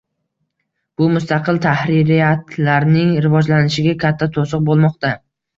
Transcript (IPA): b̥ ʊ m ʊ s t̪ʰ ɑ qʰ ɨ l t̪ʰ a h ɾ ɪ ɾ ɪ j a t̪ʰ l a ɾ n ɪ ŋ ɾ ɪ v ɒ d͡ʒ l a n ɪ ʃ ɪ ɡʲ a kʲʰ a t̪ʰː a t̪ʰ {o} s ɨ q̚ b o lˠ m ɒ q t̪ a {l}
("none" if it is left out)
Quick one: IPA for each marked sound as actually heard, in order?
o, none

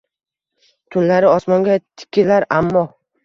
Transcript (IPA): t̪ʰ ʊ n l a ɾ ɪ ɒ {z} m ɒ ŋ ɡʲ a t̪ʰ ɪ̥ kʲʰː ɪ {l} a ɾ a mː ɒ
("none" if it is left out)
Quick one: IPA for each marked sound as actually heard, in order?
s, l

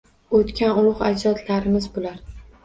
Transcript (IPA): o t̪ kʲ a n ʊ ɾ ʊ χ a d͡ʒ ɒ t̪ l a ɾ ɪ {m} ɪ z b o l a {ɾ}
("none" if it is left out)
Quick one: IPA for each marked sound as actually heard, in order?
m, ɾ

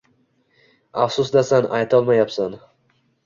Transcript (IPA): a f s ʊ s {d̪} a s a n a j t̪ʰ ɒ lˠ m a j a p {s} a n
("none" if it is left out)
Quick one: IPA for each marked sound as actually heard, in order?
d̪, s

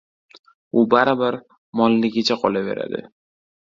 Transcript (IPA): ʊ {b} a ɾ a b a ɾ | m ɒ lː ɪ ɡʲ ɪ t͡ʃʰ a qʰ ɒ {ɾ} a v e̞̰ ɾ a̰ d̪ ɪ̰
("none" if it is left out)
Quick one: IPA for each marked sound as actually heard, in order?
b, l

